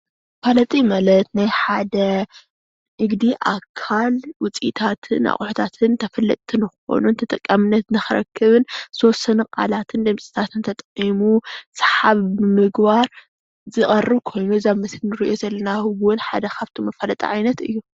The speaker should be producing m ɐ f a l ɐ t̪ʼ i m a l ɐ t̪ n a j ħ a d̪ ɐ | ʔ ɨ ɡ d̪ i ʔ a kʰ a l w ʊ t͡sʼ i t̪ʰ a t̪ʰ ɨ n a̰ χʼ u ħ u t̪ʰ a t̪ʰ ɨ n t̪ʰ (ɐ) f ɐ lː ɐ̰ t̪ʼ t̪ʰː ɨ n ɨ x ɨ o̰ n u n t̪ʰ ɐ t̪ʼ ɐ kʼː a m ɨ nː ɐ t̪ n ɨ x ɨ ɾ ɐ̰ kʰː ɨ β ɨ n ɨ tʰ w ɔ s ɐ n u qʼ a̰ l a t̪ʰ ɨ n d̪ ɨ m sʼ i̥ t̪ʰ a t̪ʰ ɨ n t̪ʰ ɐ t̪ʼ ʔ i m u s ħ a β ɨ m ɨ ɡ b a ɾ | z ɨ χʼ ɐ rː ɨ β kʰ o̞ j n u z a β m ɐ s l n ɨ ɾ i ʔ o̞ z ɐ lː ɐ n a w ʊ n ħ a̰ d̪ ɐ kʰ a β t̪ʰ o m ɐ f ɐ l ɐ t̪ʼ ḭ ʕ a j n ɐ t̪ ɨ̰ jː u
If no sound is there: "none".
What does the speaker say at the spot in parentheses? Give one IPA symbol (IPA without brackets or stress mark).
ɐ